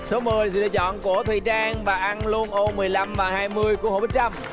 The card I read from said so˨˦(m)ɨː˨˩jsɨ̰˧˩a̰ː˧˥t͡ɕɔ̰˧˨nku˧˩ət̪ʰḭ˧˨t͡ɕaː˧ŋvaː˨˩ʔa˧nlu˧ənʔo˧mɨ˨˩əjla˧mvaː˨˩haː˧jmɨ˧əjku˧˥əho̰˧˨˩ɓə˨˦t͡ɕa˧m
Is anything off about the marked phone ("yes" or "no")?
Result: no